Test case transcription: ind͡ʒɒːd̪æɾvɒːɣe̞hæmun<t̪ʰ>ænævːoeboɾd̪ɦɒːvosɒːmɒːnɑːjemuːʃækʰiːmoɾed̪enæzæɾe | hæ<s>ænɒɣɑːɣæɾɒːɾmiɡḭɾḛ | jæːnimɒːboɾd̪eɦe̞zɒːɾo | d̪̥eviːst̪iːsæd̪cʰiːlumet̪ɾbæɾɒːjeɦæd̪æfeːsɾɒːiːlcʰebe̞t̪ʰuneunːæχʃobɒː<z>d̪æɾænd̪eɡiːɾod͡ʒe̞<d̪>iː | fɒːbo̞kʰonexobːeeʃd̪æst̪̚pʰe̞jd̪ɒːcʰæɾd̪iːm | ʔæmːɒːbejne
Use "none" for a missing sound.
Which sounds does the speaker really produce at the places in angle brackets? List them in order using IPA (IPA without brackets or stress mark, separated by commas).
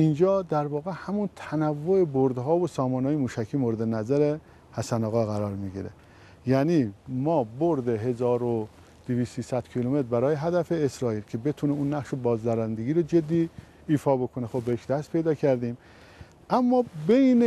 t̪ʰ, s, z, d̪ː